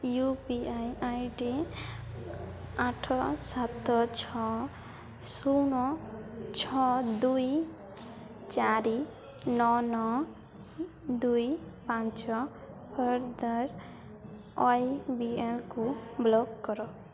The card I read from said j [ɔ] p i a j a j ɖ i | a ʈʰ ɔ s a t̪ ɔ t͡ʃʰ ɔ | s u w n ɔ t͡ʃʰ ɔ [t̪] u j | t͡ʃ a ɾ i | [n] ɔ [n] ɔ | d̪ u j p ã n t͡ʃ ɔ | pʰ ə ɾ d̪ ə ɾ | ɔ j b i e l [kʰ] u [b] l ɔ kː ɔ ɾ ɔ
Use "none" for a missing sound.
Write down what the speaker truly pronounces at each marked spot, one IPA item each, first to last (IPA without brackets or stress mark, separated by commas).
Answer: u, d̪, n, n, k, b